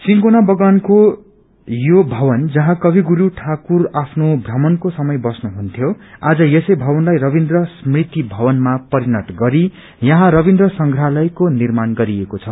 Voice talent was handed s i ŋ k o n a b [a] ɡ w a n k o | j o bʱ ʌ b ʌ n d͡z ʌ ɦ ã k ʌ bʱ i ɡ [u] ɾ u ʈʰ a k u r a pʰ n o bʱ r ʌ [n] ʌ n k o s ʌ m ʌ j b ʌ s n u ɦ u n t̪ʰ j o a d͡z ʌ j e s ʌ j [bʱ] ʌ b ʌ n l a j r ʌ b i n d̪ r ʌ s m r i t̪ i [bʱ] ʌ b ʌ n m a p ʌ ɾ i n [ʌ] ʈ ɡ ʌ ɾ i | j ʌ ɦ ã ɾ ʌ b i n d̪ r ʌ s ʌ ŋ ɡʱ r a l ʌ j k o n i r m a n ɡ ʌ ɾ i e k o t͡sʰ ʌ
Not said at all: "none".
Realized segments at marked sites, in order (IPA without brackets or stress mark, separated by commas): ʌ, u, m, bʱ, bʱ, ʌ